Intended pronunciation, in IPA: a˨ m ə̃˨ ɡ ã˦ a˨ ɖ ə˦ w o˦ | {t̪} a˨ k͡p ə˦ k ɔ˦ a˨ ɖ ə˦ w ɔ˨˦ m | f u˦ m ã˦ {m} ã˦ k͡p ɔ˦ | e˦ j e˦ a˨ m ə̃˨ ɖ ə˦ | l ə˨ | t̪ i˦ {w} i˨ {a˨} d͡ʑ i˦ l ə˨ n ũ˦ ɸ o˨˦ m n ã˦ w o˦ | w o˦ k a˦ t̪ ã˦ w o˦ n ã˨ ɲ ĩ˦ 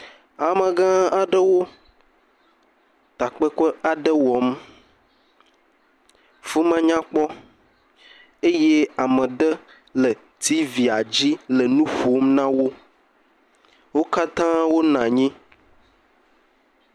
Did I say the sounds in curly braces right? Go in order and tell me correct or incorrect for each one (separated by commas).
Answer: correct, incorrect, incorrect, correct